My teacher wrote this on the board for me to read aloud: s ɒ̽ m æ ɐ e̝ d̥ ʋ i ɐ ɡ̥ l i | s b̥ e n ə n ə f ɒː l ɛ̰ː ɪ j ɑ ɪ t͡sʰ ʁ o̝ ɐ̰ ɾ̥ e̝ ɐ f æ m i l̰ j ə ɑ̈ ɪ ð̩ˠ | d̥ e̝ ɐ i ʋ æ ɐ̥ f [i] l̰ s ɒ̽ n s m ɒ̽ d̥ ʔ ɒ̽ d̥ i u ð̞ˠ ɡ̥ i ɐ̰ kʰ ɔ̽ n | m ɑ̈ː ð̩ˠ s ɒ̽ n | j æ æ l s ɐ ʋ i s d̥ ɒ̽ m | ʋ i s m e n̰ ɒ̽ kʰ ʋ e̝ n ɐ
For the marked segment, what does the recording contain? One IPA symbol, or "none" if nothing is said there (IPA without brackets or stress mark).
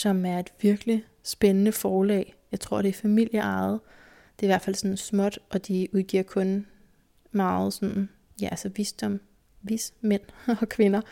æ